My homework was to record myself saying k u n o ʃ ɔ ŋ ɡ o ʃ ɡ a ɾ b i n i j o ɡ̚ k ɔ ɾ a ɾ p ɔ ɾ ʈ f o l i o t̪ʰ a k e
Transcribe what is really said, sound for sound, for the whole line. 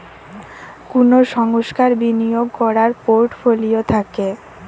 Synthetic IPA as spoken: k u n o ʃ ɔ ŋ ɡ o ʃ k a ɾ b i n i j o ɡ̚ k ɔ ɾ a ɾ p o ɾ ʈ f o l i o t̪ʰ a k e